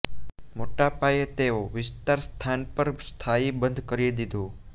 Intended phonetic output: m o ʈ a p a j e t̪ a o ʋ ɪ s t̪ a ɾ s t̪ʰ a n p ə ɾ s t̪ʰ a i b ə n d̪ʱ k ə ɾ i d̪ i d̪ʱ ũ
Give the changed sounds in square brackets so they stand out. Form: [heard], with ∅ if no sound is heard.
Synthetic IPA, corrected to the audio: m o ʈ a p a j e t̪ [e] o ʋ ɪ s t̪ a ɾ s t̪ʰ a n p ə ɾ s t̪ʰ a i b ə n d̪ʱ k ə ɾ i d̪ i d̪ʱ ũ